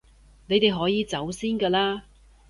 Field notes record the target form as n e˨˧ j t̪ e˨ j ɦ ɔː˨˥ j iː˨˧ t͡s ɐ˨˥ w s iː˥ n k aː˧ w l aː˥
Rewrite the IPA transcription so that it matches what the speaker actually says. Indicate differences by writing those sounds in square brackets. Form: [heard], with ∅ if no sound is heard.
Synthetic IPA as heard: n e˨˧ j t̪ e˨ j ɦ ɔː˨˥ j iː˨˧ t͡s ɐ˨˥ w s iː˥ n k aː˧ [∅] l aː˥

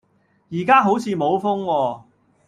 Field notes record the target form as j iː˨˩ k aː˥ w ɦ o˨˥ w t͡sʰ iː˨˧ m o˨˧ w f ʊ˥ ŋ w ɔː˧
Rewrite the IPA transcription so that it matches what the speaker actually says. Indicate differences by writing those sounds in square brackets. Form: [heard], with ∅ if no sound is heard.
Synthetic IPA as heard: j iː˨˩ k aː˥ [∅] ɦ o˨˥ w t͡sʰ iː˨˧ m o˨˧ w f ʊ˥ ŋ w ɔː˧

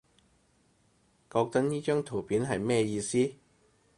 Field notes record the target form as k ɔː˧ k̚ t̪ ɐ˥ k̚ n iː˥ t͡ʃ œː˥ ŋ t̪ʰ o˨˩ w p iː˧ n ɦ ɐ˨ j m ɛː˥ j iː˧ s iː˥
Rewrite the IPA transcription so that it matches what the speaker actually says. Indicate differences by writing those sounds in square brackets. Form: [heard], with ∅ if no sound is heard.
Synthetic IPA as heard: k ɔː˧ k̚ t̪ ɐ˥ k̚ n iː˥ t͡ʃ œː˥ ŋ t̪ʰ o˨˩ w p [iː˨˥] n ɦ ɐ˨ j m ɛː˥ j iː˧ s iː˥

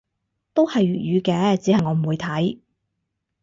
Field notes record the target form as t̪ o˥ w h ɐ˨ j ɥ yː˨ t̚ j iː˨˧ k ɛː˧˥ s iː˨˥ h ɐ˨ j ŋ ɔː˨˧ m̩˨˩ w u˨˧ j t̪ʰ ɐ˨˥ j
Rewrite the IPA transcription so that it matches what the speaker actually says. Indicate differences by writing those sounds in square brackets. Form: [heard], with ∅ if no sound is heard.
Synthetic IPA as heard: t̪ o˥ w h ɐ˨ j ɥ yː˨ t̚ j [yː˨˧] k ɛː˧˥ [t͡s] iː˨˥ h ɐ˨ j ŋ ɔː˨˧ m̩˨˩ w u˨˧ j t̪ʰ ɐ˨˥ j

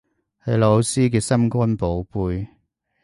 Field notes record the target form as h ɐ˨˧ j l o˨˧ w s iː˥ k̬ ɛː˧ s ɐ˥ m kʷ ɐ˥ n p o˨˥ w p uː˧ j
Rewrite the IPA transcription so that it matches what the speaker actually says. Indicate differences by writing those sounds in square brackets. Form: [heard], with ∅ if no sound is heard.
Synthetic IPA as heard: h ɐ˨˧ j l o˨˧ w s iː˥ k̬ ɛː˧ s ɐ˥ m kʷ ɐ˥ n p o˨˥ w p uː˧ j

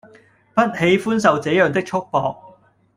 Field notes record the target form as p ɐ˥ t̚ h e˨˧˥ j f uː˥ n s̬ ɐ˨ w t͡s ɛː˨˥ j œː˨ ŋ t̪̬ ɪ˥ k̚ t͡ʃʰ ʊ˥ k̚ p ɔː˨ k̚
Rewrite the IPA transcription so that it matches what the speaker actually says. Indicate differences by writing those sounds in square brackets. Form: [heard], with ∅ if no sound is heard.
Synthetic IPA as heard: p ɐ˥ t̚ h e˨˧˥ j f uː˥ n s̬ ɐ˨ w t͡s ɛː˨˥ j œː˨ ŋ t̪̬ ɪ˥ k̚ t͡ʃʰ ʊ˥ k̚ p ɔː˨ k̚

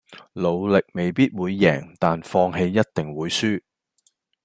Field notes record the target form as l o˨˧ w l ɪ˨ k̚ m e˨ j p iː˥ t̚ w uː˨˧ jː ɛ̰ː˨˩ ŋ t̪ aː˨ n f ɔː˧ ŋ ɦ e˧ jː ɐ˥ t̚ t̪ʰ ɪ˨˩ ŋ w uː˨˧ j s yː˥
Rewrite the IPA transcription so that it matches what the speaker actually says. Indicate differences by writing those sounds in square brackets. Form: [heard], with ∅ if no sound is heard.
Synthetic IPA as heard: l o˨˧ w l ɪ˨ k̚ m e˨ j p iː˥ t̚ w uː˨˧ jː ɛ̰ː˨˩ ŋ t̪ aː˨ n f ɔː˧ ŋ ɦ e˧ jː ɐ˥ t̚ [t̪] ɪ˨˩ ŋ w uː˨˧ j s yː˥

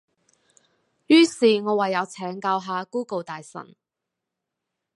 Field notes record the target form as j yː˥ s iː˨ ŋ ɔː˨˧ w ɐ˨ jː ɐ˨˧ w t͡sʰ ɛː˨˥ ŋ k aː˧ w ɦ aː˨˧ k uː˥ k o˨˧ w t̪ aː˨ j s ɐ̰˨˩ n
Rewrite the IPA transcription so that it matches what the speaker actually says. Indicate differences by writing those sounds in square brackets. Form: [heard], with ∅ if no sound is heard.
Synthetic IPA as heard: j yː˥ s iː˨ ŋ ɔː˨˧ w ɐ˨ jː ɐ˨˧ w t͡sʰ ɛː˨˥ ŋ k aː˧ w ɦ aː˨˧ k uː˥ k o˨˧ w t̪ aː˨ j s ɐ̰˨˩ n

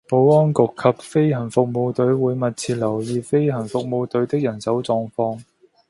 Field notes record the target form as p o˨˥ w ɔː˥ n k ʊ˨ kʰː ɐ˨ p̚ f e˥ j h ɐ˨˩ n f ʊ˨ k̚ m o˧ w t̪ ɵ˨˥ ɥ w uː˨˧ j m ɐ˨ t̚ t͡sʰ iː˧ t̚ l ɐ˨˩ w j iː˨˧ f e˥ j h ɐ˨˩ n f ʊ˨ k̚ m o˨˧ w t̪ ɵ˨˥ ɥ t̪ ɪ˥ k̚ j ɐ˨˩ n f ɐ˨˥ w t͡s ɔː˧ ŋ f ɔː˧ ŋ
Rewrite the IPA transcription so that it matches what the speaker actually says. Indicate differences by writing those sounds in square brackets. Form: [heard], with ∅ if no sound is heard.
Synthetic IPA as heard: p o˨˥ w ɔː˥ n k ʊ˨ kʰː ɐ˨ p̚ f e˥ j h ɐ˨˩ n f ʊ˨ k̚ m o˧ w t̪ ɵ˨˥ ɥ w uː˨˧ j m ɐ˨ t̚ t͡sʰ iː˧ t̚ l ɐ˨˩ w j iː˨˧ f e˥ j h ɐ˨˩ n f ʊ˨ k̚ m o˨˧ w t̪ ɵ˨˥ ɥ t̪ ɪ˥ k̚ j ɐ˨˩ n [s] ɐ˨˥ w t͡s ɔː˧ ŋ f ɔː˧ ŋ

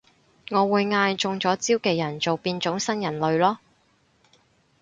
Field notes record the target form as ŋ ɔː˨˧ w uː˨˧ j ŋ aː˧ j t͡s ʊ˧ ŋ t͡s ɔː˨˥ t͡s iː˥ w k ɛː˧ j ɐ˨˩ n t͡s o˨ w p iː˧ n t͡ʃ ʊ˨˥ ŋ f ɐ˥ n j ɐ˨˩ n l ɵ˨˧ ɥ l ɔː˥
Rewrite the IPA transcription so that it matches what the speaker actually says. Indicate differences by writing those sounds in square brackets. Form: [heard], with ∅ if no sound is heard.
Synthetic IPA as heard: ŋ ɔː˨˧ w uː˨˧ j ŋ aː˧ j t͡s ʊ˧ ŋ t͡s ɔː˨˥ t͡s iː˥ w k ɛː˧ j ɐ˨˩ n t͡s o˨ w p iː˧ n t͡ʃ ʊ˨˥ ŋ [s] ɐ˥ n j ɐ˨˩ n l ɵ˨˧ ɥ l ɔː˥

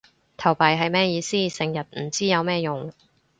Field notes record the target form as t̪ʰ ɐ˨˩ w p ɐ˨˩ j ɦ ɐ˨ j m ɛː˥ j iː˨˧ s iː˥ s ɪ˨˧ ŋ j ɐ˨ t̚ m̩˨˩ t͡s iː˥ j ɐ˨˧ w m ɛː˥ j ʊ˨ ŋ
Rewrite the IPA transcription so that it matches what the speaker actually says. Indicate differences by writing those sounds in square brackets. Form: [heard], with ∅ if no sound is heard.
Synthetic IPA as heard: t̪ʰ ɐ˨˩ w p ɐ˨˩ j ɦ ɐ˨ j m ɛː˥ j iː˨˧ s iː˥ s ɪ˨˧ ŋ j ɐ˨ t̚ m̩˨˩ t͡s iː˥ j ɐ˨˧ w m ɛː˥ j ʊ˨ ŋ

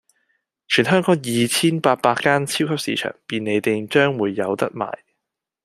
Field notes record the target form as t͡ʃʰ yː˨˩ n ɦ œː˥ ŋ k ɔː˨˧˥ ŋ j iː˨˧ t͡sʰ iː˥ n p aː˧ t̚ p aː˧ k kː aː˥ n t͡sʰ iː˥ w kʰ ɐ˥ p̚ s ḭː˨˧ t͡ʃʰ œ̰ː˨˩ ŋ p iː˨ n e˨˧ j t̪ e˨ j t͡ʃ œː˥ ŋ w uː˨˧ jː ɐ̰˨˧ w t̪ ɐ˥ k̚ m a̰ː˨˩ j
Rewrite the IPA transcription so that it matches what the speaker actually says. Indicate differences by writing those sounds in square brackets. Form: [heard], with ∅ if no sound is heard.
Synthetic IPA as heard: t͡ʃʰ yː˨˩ n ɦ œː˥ ŋ k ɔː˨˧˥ ŋ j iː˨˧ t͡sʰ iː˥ n p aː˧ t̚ p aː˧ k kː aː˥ n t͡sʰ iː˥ w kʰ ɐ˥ p̚ s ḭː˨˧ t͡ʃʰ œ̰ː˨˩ ŋ p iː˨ n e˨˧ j t̪ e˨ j t͡ʃ œː˥ ŋ w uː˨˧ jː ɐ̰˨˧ w t̪ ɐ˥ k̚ m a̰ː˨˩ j

